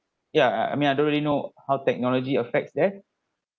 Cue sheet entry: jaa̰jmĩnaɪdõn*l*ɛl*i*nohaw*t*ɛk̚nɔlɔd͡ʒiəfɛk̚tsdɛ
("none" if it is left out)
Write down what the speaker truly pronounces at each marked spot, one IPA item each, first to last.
ɹ, i, t

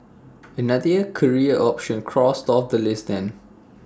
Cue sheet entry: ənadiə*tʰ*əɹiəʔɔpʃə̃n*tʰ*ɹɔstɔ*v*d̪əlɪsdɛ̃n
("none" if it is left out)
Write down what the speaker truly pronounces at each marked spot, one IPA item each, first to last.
kʰ, kʰ, f

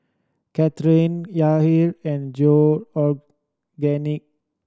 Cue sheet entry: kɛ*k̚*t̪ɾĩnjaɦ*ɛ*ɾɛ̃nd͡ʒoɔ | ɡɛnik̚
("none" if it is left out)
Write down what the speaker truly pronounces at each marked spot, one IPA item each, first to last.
none, i

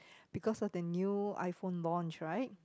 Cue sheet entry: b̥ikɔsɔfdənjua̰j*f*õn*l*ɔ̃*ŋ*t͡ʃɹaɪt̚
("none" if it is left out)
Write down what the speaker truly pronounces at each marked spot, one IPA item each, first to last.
f, l, n

